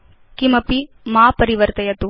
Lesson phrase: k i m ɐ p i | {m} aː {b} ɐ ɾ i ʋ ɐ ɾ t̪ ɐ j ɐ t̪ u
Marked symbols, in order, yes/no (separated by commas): yes, no